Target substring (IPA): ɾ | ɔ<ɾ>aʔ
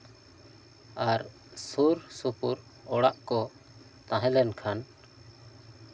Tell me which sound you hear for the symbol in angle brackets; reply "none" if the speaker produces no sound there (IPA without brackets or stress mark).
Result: ɽ